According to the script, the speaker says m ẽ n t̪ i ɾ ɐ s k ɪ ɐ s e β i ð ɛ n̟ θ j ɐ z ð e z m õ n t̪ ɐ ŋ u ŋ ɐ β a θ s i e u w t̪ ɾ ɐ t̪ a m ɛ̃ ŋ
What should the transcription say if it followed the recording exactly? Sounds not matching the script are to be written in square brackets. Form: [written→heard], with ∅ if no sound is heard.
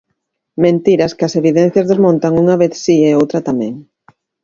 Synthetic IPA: m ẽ n t̪ i ɾ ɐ s k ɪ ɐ s e β i ð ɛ n̟ θ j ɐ z ð e z m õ n t̪ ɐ ŋ u ŋ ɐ β [a→e] θ s i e [u→o] w t̪ ɾ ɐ t̪ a m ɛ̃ ŋ

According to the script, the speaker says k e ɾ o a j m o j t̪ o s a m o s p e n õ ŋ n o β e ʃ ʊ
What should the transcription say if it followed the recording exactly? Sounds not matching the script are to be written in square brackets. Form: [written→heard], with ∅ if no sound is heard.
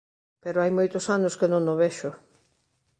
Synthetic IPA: [k→p] e ɾ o a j m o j t̪ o s a [m→n] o s [p→k] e n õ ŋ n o β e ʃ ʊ

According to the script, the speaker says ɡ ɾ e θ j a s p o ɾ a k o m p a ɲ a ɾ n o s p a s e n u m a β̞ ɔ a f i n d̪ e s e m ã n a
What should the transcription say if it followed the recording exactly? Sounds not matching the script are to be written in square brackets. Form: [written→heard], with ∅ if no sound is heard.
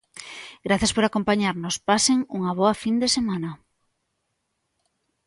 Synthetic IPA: ɡ ɾ [e→a] θ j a s p o ɾ a k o m p a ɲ a ɾ n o s p a s e [n→ŋ] u [m→ŋ] a β̞ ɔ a f i n d̪ e s e m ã n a

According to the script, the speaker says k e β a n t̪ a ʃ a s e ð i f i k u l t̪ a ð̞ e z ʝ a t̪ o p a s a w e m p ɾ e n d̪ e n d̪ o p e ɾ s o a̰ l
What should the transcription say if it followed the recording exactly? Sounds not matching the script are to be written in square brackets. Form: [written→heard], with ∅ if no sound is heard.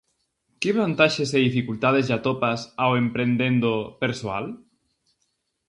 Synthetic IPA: k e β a n t̪ a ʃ [a→e] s e ð i f i k u l t̪ a ð̞ e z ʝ a t̪ o p a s a w e m p ɾ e n d̪ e n d̪ o p e ɾ s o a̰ l

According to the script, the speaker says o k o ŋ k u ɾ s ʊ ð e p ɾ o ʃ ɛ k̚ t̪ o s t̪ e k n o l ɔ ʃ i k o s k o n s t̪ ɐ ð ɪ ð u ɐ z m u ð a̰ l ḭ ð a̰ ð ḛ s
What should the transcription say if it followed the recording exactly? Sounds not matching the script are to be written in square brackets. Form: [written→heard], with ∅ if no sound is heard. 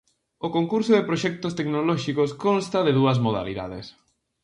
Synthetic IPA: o k o ŋ k u ɾ s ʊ ð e p ɾ o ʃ ɛ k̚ t̪ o s t̪ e k n o l ɔ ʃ i k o s k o n s t̪ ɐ ð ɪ ð u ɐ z m [u→o] ð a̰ l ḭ ð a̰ ð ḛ s

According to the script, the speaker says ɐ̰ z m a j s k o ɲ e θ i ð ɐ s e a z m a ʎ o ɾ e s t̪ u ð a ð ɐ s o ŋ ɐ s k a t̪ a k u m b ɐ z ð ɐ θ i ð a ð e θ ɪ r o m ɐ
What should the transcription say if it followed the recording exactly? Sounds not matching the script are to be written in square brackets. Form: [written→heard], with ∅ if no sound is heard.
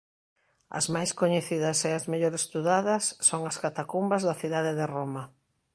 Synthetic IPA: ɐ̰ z m a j s k o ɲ e θ i ð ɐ s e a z m [a→e] ʎ o ɾ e s t̪ u ð a ð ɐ [s→sː] o ŋ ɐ s k a t̪ a k u m b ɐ z ð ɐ θ i ð a ð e [θ→ð] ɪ r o m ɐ

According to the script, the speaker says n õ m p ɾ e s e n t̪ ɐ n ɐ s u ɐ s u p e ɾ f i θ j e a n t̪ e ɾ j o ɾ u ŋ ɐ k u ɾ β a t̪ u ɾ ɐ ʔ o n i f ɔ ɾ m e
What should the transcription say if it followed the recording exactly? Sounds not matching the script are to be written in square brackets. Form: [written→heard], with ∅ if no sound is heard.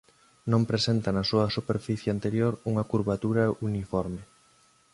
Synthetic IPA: n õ m p ɾ e s e n t̪ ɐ n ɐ s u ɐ s u p e ɾ f i θ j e a n t̪ e ɾ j o ɾ u ŋ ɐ k u ɾ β a t̪ u ɾ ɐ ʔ [o→u] n i f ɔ ɾ m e

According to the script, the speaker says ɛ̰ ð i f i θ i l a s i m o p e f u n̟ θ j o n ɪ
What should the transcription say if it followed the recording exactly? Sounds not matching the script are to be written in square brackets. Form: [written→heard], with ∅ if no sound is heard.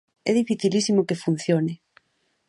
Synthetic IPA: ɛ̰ ð i f i θ i l [a→i] s i m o [p→k] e f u n̟ θ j o n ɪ

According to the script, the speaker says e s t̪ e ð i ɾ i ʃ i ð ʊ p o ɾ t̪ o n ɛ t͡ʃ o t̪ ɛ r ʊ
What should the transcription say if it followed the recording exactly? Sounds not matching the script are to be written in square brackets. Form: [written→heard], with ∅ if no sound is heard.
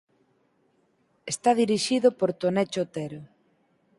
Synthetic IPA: e s t̪ [e→a] ð i ɾ i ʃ i ð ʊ p o ɾ t̪ o n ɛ t͡ʃ o t̪ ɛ [r→ɾ] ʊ

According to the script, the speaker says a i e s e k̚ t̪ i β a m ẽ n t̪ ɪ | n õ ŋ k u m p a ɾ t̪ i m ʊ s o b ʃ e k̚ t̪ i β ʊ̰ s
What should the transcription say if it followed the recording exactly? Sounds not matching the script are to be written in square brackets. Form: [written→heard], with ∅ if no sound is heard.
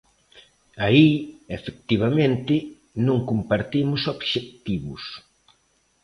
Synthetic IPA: a i e [s→f] e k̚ t̪ i β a m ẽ n t̪ ɪ | n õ ŋ k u m p a ɾ t̪ i m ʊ s o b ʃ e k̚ t̪ i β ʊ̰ s

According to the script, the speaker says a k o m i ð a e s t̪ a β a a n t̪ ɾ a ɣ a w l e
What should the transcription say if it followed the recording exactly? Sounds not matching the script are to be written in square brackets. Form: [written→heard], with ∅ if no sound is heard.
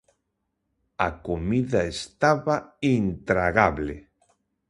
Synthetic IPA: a k o m i ð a e s t̪ a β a [a→i] n t̪ ɾ a ɣ a [w→β] l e

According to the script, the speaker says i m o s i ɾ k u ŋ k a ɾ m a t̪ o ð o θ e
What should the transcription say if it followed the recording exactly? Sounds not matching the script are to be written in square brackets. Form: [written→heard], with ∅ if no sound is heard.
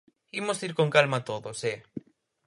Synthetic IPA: i m o s i ɾ k [u→o] ŋ k a [ɾ→l] m a t̪ o ð o [θ→s] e

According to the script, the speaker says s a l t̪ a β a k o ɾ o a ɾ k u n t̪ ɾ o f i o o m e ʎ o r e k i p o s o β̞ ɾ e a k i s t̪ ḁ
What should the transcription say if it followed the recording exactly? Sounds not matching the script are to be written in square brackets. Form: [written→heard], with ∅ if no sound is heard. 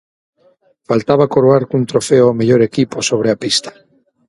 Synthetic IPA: [s→f] a l t̪ a β a k o ɾ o a ɾ k u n t̪ ɾ o f [i→e] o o m e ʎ o [r→ɾ] e k i p o s o β̞ ɾ e a [k→p] i s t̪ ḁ

